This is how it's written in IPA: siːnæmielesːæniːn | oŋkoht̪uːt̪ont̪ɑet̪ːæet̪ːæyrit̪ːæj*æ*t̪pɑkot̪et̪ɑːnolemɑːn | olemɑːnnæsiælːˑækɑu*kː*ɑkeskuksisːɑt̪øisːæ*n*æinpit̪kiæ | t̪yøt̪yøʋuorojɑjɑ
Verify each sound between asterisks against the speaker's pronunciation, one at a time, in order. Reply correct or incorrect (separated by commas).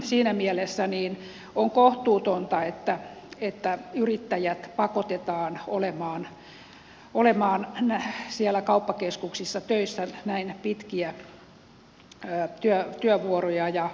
correct, incorrect, correct